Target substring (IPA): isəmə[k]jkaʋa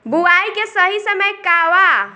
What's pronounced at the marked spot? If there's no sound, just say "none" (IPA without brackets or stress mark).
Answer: none